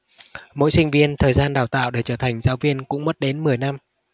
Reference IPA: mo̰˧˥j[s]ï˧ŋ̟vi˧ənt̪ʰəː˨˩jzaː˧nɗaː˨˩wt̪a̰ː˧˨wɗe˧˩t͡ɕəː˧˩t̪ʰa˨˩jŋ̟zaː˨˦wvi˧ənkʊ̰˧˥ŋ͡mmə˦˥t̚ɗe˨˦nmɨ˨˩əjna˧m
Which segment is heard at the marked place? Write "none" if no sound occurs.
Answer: s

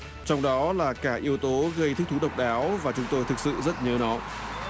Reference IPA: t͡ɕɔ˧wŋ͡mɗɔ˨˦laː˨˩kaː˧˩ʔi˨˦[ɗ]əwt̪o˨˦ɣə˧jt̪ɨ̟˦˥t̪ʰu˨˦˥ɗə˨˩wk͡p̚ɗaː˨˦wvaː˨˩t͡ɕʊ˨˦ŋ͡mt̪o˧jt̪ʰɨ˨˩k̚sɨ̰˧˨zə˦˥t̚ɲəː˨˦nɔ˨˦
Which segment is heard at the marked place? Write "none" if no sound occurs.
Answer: none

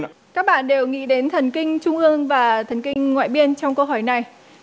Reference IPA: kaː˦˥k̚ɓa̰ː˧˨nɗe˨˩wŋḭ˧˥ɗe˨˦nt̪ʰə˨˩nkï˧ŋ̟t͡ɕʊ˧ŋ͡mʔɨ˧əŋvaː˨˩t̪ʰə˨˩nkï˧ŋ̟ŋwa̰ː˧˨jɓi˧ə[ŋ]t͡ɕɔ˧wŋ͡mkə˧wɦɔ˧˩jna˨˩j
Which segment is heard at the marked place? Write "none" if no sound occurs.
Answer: n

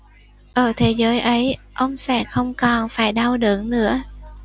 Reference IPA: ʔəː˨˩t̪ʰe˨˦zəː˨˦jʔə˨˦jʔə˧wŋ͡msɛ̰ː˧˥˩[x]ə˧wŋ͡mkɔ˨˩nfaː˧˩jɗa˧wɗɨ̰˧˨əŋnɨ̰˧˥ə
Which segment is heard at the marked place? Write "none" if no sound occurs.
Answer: x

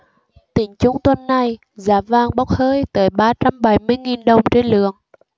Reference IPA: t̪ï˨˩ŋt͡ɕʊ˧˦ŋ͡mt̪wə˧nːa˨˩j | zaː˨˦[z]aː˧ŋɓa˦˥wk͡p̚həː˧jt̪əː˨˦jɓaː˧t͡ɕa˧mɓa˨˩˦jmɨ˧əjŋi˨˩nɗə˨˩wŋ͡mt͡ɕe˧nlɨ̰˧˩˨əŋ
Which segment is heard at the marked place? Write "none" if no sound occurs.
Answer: v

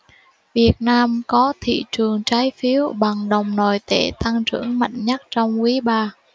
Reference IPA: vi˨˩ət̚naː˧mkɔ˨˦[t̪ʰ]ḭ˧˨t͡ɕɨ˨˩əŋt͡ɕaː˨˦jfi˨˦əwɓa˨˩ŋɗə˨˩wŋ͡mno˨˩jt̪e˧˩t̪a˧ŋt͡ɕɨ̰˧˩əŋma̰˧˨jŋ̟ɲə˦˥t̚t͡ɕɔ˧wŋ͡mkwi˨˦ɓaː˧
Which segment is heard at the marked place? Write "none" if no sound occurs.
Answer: t̪ʰ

